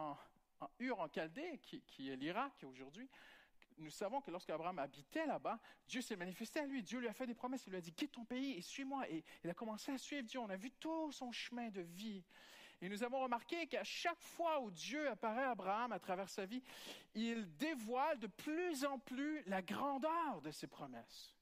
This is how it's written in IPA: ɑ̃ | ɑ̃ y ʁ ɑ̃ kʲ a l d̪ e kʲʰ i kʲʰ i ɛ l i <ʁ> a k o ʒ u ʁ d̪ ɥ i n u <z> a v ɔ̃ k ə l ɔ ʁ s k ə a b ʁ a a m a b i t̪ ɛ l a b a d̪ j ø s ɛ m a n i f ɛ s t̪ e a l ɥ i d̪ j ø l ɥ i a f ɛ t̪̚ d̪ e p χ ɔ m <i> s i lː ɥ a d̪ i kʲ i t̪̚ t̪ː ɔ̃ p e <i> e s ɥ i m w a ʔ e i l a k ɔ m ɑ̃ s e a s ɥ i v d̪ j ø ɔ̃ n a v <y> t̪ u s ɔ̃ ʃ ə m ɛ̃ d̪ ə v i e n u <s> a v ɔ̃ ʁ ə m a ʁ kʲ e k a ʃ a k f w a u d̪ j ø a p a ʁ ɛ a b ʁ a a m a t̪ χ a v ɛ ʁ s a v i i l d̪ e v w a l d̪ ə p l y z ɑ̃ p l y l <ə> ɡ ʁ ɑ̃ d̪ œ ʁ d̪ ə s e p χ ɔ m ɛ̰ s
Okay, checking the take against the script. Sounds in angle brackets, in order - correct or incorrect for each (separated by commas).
correct, incorrect, incorrect, correct, correct, incorrect, incorrect